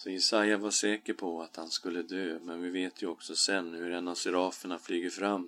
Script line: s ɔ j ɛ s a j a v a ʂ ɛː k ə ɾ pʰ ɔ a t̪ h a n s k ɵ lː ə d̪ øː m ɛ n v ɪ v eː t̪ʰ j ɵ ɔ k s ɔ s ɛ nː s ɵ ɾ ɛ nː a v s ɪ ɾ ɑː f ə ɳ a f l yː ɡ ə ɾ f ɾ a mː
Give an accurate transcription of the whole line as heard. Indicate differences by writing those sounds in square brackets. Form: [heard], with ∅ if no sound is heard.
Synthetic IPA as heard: s ɔ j ɛ s a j a v a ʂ ɛː k ə ɾ pʰ ɔ a t̪ h a n s k ɵ lː ə d̪ øː m ɛ n v ɪ v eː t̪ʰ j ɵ ɔ k s ɔ s ɛ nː [h] ɵ ɾ ɛ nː a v s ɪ ɾ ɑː f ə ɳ a f l yː ɡ ə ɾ f ɾ a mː